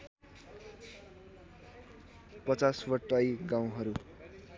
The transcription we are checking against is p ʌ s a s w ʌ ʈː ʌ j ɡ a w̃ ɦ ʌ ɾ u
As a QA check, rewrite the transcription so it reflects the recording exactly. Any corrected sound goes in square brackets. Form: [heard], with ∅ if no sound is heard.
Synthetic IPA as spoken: p ʌ [t͡s] a s w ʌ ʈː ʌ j ɡ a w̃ ɦ ʌ ɾ u